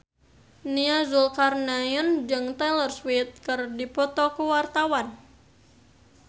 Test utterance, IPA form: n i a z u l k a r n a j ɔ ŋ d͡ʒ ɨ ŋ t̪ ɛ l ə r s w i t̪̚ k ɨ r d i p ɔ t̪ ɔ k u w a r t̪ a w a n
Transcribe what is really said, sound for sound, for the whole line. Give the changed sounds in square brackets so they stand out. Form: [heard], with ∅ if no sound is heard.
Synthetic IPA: n i a z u l k a r n a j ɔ [n] d͡ʒ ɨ ŋ t̪ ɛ l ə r s w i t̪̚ k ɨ r d i p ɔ t̪ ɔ k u w a r t̪ a w a n